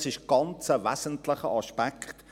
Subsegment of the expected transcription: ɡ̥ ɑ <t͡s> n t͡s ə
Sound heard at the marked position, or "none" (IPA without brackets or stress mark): none